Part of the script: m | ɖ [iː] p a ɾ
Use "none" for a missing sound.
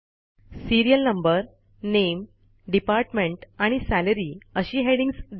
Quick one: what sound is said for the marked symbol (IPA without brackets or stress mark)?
i